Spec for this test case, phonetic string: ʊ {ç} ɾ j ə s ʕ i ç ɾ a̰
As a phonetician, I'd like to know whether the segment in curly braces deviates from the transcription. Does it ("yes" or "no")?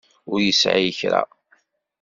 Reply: yes